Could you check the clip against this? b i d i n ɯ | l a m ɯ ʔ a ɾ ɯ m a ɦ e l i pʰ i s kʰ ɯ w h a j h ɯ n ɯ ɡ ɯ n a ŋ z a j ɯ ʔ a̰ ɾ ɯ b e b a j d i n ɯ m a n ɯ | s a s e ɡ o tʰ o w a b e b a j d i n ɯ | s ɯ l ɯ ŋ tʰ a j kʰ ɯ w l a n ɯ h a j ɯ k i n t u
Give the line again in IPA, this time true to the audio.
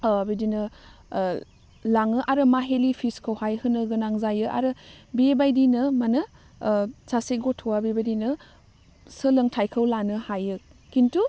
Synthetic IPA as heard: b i d i n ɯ | l a ŋ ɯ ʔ a ɾ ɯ m a ɦ e l i pʰ i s kʰ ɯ w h a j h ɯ n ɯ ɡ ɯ n a ŋ z a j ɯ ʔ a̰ ɾ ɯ b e b a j d i n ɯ m a n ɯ | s a s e ɡ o tʰ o w a b e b a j d i n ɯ | s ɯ l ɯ ŋ tʰ a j kʰ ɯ w l a n ɯ h a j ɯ k i n t u

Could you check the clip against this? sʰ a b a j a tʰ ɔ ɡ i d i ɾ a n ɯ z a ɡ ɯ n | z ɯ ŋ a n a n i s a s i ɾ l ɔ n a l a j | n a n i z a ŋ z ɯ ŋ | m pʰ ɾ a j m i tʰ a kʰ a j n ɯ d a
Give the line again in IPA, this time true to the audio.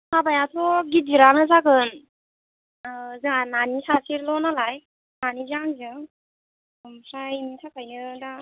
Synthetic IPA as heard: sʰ a b a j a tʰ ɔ ɡ i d i ɾ a n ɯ z a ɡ ɯ n | z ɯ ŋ a n a n i s a s i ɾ l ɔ n a l a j | n a n i z a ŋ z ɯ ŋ | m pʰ ɾ a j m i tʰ a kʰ a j n ɯ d a

